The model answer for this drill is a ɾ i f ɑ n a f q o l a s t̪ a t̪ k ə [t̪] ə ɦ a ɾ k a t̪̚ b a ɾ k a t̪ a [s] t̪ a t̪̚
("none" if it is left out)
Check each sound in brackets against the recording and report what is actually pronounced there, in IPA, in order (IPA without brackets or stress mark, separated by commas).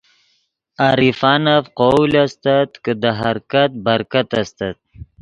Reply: d̪, s